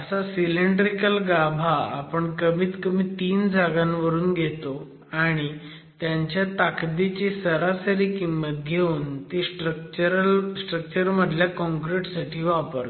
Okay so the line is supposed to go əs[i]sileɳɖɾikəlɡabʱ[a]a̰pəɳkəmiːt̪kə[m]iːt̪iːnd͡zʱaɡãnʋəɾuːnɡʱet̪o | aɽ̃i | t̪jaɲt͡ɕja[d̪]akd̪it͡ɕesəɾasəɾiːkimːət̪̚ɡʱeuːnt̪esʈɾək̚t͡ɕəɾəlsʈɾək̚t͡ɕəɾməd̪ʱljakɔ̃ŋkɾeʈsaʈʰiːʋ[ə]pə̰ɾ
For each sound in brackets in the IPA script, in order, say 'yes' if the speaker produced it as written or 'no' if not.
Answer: no, yes, yes, no, no

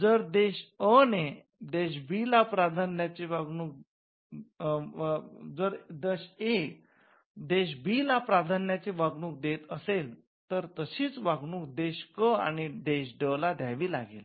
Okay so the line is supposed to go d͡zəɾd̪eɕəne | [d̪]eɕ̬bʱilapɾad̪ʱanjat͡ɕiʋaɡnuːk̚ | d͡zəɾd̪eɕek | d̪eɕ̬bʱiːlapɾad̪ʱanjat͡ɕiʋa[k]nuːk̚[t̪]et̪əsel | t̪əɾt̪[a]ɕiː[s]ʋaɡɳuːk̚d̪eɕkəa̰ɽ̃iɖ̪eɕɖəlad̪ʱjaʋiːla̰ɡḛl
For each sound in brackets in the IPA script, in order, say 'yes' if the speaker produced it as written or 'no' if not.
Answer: yes, no, no, no, no

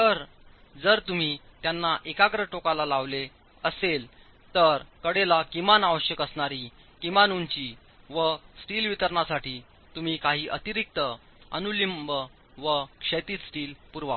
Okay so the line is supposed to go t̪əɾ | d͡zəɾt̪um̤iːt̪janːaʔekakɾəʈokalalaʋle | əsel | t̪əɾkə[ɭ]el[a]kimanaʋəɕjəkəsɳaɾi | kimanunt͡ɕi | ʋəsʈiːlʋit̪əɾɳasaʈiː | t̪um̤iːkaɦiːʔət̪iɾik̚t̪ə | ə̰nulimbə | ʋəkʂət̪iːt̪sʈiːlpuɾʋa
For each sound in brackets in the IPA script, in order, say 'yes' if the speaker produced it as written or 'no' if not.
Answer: no, yes

